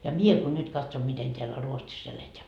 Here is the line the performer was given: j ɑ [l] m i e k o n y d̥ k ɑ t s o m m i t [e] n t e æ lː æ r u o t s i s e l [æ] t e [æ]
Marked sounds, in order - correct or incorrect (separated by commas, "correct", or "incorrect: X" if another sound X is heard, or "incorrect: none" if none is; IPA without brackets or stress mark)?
incorrect: none, correct, incorrect: e, correct